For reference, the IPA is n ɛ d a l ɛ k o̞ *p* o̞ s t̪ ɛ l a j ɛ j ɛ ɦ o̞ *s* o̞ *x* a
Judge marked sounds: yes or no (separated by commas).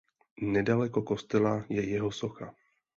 no, yes, yes